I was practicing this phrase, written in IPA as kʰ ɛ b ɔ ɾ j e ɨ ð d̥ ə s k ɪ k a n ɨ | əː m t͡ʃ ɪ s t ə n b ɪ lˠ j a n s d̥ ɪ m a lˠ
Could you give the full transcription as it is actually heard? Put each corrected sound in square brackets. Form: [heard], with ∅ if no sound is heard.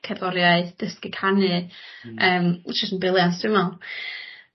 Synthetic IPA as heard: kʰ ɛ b ɔ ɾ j [a] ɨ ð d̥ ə s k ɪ [kʰ] a n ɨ | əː m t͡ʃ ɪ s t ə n b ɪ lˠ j a n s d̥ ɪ m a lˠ

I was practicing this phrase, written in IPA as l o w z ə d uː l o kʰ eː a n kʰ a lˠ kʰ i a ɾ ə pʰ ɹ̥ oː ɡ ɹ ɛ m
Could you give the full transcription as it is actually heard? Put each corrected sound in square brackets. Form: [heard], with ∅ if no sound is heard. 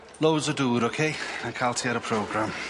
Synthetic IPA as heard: l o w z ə d uː [ɾ] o kʰ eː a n kʰ a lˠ [tʰ] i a ɾ ə pʰ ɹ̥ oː ɡ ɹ [a] m

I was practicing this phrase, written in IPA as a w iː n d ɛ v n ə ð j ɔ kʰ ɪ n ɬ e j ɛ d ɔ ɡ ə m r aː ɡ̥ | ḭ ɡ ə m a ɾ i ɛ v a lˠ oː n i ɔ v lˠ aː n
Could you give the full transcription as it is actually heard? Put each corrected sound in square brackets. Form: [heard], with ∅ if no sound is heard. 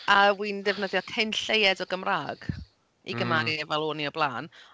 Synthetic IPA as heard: a w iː n d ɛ v n ə ð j ɔ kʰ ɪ n ɬ e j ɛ d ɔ ɡ ə m r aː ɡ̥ | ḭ ɡ ə m a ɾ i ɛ v a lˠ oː n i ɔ [b] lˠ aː n

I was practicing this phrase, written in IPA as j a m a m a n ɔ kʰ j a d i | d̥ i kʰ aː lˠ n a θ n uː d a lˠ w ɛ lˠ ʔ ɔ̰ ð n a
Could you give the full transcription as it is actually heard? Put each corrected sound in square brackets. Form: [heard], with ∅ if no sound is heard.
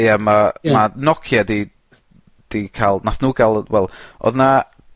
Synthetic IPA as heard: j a m a m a n ɔ kʰ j a d i | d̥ i kʰ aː lˠ n a θ n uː [ɡ] a lˠ w ɛ lˠ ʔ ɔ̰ ð n a

